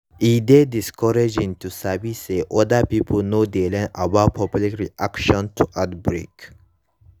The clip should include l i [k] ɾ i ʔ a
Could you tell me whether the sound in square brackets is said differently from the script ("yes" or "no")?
no